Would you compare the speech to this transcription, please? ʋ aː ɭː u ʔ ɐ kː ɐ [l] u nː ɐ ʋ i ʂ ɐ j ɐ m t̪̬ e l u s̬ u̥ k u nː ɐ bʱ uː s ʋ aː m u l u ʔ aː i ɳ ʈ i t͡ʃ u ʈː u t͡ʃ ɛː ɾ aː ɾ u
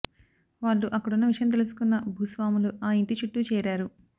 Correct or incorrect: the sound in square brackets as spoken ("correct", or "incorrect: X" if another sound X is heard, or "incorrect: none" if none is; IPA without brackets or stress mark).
incorrect: ɽ